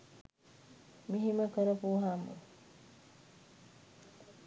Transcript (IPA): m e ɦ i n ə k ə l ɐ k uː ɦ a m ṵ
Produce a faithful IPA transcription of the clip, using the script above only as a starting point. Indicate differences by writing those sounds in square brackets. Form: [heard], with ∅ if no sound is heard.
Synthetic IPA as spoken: m [i] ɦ i [m] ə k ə [ɾ] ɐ [p] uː ɦ a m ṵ